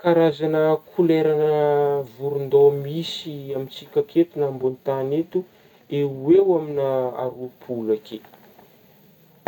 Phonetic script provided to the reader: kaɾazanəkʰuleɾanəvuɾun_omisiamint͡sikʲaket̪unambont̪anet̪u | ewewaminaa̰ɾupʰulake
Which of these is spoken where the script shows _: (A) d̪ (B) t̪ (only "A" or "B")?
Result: A